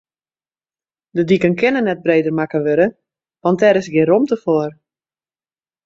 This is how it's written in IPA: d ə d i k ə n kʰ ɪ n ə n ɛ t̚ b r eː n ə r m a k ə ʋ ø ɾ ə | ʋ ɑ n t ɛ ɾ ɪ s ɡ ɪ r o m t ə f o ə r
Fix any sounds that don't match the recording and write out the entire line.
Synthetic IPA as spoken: d ə d i k ə n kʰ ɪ n ə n ɛ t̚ b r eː d ə r m a k ə ʋ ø ɾ ə | ʋ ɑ n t ɛ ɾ ɪ s ɡ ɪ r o m t ə f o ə r